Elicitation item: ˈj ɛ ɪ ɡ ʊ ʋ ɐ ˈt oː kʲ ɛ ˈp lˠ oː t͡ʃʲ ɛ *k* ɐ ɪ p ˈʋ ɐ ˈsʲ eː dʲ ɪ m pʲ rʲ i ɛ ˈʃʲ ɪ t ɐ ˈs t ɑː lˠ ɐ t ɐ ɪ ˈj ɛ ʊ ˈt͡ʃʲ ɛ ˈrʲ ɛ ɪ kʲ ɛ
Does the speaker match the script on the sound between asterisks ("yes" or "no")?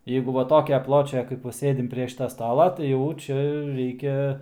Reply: yes